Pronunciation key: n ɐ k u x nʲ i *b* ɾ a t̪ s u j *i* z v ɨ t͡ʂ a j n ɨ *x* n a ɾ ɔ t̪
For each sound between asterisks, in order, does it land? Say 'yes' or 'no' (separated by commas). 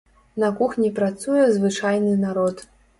no, no, no